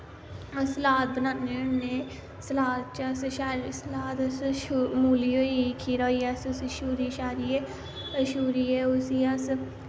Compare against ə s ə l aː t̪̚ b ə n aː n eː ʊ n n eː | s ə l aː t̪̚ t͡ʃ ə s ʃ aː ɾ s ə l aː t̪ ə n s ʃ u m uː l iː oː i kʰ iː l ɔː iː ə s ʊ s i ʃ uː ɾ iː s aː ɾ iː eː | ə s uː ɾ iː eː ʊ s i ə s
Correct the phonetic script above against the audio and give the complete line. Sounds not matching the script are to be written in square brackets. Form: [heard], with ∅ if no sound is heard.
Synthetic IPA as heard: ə s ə l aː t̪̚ b ə n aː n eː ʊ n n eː | s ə l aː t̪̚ t͡ʃ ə s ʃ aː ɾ s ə l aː t̪ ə [∅] s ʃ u m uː l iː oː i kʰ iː [ɾ] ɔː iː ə s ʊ s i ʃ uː ɾ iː [ʃ] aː ɾ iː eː | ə [ʃ] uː ɾ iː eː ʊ s i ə s

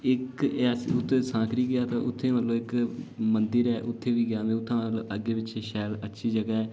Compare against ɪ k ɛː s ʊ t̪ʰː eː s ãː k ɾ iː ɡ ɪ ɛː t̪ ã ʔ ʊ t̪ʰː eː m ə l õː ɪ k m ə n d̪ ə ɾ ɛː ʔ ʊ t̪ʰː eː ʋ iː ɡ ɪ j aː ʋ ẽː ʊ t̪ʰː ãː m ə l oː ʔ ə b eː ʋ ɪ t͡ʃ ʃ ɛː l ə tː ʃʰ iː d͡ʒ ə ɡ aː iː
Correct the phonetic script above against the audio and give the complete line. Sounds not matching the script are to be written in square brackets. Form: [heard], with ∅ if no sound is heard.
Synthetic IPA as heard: ɪ k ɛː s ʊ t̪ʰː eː s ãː k ɾ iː ɡ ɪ [aː] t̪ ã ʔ ʊ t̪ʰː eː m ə l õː ɪ k m ə n d̪ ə ɾ ɛː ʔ ʊ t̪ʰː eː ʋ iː ɡ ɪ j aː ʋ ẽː ʊ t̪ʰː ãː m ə l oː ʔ ə [ɡ] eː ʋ ɪ t͡ʃ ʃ ɛː l ə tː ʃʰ iː d͡ʒ ə ɡ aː [ɛː]

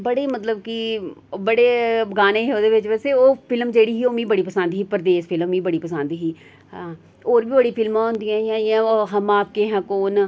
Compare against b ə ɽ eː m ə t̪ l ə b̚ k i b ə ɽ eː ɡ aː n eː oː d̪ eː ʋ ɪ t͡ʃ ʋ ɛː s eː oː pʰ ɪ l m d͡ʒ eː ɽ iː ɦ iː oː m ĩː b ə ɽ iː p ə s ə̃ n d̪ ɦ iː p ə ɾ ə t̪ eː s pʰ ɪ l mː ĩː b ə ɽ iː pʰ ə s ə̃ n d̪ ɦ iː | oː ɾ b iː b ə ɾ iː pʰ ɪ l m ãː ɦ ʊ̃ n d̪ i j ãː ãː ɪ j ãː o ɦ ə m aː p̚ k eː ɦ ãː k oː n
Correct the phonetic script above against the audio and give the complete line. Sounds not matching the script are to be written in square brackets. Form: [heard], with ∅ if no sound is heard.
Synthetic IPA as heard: b ə ɽ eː m ə t̪ l ə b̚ k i b ə ɽ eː ɡ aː n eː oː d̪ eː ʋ ɪ t͡ʃ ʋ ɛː s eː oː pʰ ɪ l m d͡ʒ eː ɽ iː ɦ iː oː m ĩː b ə ɽ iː p ə s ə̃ n d̪ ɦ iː p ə ɾ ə [d̪] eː s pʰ ɪ l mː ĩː b ə ɽ iː [p] ə s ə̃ n d̪ ɦ iː | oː ɾ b iː b ə [ɽ] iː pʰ ɪ l m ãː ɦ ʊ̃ n d̪ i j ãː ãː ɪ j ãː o ɦ ə m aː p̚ k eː ɦ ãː k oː n

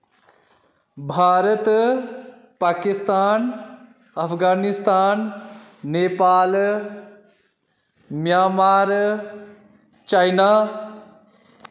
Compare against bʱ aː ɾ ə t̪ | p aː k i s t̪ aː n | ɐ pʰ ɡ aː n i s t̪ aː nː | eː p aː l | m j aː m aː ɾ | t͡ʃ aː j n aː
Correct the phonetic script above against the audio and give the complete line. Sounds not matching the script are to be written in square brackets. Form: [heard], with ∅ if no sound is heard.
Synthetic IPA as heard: bʱ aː ɾ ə t̪ | p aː k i s t̪ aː n | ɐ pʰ ɡ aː n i s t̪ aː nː | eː p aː l | m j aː m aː ɾ | t͡ʃ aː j n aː

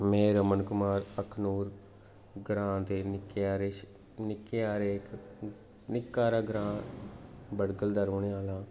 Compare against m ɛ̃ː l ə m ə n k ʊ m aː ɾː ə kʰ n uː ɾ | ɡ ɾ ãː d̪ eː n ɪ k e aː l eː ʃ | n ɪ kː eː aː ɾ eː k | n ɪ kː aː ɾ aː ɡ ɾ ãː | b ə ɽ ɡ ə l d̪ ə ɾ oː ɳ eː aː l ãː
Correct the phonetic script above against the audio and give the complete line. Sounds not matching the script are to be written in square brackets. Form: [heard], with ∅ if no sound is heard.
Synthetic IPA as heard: m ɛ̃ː [ɾ] ə m ə n k ʊ m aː [ɾ] ə kʰ n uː ɾ | ɡ ɾ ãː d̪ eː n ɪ k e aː [ɾ] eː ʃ | n ɪ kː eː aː ɾ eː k | n ɪ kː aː ɾ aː ɡ ɾ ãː | b ə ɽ ɡ ə l d̪ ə ɾ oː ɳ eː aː l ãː

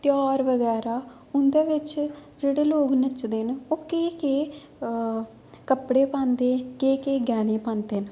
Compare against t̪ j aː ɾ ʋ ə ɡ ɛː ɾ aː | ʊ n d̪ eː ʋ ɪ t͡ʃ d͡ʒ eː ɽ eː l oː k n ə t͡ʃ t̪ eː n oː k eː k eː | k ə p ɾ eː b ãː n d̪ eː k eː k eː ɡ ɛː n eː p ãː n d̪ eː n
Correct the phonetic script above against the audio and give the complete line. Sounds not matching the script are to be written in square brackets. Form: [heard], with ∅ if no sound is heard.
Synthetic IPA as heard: t̪ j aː ɾ ʋ ə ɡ ɛː ɾ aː | ʊ n d̪ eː ʋ ɪ t͡ʃ d͡ʒ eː ɽ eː l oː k n ə t͡ʃ [d̪] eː n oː k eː k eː | k ə p [ɽ] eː [p] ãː n d̪ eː k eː k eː ɡ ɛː n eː p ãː n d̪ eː n

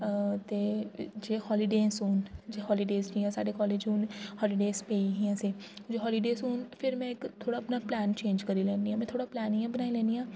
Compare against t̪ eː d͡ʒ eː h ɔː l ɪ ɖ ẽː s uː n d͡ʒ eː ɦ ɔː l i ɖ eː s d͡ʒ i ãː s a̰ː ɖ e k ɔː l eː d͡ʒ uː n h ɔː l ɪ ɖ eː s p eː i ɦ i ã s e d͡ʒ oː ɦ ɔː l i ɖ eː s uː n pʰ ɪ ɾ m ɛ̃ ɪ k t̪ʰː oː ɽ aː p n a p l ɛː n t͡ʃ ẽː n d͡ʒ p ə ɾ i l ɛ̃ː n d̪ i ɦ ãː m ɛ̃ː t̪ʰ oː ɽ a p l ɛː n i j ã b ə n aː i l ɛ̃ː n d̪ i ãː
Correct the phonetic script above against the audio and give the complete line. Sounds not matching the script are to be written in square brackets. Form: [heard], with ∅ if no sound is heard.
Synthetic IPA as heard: t̪ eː d͡ʒ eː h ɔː l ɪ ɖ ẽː s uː n d͡ʒ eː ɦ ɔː l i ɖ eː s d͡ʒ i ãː s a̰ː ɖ e k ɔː l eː d͡ʒ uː n h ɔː l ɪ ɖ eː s p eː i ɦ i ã s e d͡ʒ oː ɦ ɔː l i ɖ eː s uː n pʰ ɪ ɾ m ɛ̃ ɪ k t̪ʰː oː ɽ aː p n a p l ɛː n t͡ʃ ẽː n d͡ʒ [k] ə ɾ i l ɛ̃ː n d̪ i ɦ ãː m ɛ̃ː t̪ʰ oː ɽ a p l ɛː n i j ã b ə n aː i l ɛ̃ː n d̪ i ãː

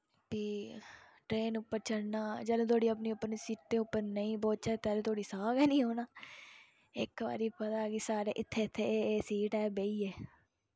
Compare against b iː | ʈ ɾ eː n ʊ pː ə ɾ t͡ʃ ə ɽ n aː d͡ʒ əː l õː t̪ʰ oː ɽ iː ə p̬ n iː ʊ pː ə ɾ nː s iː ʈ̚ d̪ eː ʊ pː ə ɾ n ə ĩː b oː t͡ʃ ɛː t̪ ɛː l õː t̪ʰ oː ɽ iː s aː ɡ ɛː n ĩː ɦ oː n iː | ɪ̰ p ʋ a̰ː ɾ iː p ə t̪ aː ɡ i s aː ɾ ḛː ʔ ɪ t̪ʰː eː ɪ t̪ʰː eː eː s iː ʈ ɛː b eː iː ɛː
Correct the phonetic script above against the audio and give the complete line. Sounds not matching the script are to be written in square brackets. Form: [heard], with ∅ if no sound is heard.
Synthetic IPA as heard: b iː | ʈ ɾ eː n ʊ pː ə ɾ t͡ʃ ə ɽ n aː d͡ʒ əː l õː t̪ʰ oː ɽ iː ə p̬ n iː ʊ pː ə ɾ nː s iː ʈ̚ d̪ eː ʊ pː ə ɾ n ə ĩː b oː t͡ʃ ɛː t̪ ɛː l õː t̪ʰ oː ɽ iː s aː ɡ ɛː n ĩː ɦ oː n [aː] | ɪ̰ [k] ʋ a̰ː ɾ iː p ə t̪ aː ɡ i s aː ɾ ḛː ʔ ɪ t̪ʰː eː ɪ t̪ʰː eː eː s iː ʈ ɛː b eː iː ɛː

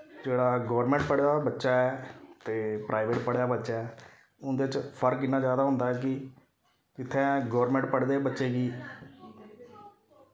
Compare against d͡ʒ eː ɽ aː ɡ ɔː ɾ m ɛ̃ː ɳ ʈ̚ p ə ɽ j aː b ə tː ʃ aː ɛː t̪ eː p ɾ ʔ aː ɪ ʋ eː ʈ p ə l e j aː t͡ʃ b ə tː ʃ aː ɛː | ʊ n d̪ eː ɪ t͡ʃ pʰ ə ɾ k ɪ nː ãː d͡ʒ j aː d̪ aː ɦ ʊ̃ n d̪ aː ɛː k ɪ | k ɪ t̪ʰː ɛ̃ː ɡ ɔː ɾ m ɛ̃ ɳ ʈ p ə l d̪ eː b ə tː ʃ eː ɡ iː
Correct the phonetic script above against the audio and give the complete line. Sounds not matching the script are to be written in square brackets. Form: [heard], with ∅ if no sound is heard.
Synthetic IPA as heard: d͡ʒ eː ɽ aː ɡ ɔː ɾ m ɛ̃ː ɳ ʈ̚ p ə ɽ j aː b ə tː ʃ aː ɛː t̪ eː p ɾ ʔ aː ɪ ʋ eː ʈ p ə [ɽ] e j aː [∅] b ə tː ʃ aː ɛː | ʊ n d̪ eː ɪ t͡ʃ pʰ ə ɾ k ɪ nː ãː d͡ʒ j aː d̪ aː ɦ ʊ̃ n d̪ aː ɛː k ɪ | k ɪ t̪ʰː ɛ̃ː ɡ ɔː ɾ m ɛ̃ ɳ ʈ p ə [ɽ] d̪ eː b ə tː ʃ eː ɡ iː

